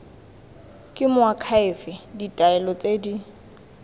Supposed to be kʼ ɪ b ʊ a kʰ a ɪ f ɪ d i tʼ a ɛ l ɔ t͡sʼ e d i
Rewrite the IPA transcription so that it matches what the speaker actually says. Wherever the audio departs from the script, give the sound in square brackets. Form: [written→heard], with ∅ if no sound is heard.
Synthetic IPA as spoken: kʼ ɪ [b→m] ʊ a kʰ a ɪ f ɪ d i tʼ a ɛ l ɔ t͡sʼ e d i